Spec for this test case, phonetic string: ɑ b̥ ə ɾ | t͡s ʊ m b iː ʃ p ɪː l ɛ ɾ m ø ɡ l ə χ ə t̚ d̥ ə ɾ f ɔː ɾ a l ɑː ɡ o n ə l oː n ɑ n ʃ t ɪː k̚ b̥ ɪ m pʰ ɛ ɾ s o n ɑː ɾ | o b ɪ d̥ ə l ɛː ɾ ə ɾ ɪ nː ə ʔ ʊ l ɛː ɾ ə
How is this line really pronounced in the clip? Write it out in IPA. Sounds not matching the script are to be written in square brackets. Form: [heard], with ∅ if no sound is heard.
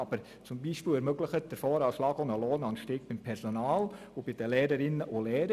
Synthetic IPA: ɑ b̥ ə ɾ | t͡s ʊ m b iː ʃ p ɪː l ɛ ɾ m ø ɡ l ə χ ə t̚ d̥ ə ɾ f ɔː ɾ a l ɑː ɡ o n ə l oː n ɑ n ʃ t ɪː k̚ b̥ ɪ m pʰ ɛ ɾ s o n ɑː [l] | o b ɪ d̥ ə l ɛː ɾ ə ɾ ɪ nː ə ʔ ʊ l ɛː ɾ ə